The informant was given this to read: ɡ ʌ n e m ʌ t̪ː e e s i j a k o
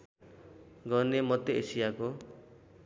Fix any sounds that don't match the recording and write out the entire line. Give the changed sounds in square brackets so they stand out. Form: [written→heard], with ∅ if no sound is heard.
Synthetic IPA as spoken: ɡ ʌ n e m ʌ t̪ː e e s i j a k o